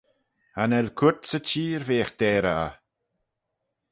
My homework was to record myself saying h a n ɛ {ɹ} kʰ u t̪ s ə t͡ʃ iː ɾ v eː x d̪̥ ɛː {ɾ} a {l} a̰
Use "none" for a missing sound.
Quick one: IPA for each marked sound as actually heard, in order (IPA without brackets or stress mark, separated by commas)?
l, ɾ, none